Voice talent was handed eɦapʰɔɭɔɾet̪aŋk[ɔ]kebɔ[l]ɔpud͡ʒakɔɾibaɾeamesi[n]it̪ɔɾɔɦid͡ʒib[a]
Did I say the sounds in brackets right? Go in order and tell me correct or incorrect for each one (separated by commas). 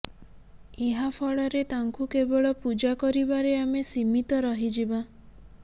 incorrect, incorrect, incorrect, correct